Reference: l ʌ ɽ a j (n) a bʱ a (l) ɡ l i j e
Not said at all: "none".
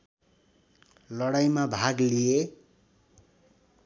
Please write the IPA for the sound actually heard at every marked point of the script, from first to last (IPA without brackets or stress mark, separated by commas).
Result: m, none